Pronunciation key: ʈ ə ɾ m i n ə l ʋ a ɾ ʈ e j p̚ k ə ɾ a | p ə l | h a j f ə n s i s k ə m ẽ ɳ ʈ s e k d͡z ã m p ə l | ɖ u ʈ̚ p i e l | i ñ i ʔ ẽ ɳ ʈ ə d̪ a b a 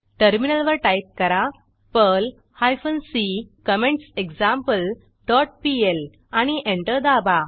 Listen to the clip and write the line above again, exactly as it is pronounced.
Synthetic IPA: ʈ ə ɾ m i n ə l ʋ ə ɾ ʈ a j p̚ k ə ɾ a | p ə l | h a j f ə n s i k ə m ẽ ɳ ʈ s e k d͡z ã m p ə l | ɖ ɔ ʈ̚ p i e l | a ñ i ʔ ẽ ɳ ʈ ə d̪ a b a